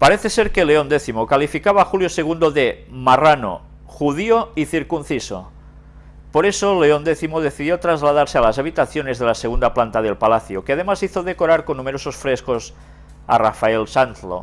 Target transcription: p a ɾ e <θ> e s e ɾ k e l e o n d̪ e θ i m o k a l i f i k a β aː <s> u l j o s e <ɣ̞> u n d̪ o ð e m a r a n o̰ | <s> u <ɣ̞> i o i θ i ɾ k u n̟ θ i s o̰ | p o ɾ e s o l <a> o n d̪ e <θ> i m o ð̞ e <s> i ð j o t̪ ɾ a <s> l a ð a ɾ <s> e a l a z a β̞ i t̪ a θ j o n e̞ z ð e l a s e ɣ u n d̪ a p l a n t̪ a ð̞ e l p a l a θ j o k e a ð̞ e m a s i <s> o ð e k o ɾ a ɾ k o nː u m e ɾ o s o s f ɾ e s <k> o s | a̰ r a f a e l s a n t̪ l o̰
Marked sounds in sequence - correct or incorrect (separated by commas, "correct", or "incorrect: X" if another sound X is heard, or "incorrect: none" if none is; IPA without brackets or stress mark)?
correct, incorrect: x, correct, incorrect: x, incorrect: ð̞, incorrect: e, correct, incorrect: θ, incorrect: z, correct, incorrect: θ, correct